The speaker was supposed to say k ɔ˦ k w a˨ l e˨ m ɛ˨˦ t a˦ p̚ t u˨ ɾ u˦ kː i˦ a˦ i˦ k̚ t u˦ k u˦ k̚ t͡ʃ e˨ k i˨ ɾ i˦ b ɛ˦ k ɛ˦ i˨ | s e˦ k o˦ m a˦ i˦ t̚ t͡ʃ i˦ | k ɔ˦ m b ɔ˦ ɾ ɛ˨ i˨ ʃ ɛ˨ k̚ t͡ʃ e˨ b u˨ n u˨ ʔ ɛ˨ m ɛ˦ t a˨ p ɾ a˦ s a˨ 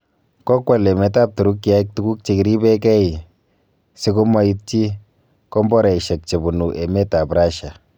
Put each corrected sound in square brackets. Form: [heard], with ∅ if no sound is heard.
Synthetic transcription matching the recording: k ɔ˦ k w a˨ l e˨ m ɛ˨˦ t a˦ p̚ t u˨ ɾ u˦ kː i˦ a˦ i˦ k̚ t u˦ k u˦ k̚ t͡ʃ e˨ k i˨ ɾ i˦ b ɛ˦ k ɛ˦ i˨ | s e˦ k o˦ m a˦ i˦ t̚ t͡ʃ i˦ | k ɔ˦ m b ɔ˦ ɾ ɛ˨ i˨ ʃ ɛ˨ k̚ t͡ʃ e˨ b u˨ n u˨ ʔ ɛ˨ m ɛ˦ t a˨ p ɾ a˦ [ʃ] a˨